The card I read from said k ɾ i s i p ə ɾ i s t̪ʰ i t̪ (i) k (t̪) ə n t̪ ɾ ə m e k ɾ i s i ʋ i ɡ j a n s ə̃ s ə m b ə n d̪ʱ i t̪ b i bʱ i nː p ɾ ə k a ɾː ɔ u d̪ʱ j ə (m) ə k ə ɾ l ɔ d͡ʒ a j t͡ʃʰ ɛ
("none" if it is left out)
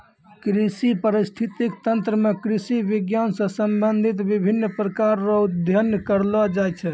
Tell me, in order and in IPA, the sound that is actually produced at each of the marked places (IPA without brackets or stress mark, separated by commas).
i, t̪, n